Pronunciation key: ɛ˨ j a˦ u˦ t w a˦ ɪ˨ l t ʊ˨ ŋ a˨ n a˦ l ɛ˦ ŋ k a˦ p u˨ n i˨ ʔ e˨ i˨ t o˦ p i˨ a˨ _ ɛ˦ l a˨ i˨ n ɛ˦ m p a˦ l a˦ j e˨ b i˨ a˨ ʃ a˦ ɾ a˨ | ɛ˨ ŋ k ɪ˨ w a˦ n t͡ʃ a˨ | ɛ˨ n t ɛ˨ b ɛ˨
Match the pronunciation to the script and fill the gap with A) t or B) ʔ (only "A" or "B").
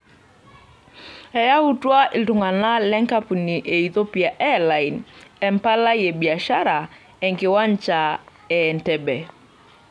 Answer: B